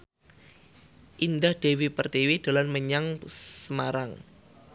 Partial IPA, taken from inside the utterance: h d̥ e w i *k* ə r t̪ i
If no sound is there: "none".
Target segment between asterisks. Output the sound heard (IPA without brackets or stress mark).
p